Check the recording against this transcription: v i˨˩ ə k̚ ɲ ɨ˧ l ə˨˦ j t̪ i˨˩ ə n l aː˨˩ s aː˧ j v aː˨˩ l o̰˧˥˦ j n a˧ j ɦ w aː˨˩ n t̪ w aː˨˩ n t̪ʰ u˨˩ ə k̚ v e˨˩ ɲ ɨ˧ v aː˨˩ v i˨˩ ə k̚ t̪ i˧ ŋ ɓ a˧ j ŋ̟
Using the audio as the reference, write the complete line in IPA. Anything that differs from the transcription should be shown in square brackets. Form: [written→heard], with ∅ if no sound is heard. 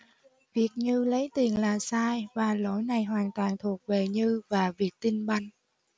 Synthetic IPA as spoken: v i˨˩ ə k̚ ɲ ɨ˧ l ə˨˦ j t̪ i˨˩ ə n l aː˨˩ s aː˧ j v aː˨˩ l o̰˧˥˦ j n [a˧→a˨˩] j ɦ w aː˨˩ n t̪ w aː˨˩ n t̪ʰ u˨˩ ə k̚ v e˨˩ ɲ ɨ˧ v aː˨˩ v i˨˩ ə k̚ t̪ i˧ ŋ ɓ a˧ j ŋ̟